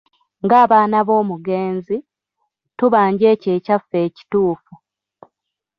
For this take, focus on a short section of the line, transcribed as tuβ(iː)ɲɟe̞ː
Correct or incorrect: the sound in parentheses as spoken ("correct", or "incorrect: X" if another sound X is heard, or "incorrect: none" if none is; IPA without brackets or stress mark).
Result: incorrect: aː